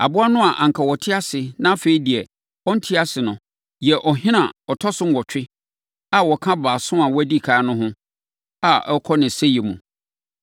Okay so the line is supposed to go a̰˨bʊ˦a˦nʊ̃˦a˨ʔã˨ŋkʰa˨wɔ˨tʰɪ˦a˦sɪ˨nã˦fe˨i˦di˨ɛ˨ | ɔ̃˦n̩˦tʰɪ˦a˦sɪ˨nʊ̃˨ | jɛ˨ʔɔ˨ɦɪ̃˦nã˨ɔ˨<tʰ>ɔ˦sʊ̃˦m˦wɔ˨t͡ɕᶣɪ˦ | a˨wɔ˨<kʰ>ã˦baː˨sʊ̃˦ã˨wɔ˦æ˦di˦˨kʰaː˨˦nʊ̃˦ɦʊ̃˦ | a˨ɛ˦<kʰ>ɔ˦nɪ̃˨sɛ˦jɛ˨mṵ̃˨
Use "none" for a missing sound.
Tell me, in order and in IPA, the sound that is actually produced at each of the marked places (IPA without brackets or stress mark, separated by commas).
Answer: tʰ, kʰ, kʰ